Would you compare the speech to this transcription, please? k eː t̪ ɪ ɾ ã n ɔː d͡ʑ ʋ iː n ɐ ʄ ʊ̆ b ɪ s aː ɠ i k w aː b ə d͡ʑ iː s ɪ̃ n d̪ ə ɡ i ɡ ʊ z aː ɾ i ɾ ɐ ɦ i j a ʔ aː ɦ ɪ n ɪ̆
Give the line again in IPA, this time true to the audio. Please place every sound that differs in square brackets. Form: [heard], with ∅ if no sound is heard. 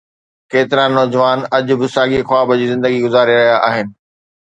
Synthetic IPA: k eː t̪ ɪ ɾ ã n ɔː d͡ʑ ʋ [aː] n ɐ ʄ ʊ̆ b ɪ s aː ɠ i [x] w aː b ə d͡ʑ iː [z] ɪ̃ n d̪ ə ɡ i ɡ ʊ z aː ɾ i ɾ ɐ ɦ i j a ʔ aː ɦ ɪ n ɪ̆